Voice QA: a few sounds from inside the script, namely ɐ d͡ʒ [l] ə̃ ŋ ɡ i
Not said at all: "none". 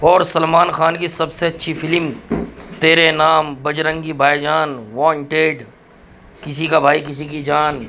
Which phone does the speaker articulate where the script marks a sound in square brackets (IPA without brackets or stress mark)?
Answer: ɾ